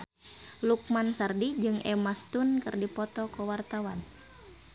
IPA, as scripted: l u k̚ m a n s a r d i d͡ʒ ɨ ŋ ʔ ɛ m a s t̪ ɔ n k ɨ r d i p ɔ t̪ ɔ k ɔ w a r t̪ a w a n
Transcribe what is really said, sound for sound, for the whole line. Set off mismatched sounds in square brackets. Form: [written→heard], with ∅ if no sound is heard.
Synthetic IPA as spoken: l u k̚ m a n s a r d i d͡ʒ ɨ ŋ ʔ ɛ m a s t̪ [ɔ→u] n k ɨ r d i p ɔ t̪ ɔ k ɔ w a r t̪ a w a n